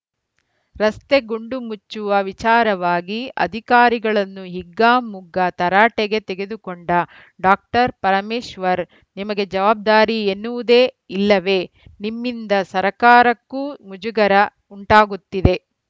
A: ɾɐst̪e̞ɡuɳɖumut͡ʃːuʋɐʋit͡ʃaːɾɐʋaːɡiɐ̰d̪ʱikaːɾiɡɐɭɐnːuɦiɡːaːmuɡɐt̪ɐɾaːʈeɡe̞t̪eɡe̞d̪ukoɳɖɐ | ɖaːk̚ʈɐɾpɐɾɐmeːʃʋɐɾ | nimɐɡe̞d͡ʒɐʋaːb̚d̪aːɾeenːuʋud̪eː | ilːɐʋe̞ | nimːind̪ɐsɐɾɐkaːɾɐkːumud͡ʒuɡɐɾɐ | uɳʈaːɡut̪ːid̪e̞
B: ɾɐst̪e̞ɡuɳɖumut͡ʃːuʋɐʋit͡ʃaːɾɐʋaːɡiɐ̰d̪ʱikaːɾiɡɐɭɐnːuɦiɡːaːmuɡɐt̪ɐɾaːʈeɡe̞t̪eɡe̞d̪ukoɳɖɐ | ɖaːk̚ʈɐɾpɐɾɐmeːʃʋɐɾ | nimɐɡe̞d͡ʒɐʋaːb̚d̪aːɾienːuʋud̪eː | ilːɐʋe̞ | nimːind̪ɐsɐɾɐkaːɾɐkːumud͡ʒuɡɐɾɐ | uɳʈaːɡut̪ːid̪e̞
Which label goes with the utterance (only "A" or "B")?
B